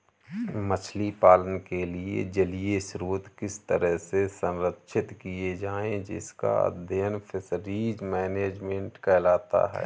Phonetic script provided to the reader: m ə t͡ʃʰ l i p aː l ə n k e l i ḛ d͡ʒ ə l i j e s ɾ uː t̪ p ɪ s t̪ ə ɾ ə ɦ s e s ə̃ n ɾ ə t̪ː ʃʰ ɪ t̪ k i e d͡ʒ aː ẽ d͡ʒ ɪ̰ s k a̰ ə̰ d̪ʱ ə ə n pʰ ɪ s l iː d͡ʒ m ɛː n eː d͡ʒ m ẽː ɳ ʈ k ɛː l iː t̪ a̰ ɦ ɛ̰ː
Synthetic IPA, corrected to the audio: m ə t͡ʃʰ l i p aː l ə n k e l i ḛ d͡ʒ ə l i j e s ɾ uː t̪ k ɪ s t̪ ə ɾ ə ɦ s e s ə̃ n ɾ ə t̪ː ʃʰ ɪ t̪ k i e d͡ʒ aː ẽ d͡ʒ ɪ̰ s k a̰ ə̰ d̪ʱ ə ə n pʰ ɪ s ɾ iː d͡ʒ m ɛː n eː d͡ʒ m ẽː ɳ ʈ k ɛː l aː t̪ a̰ ɦ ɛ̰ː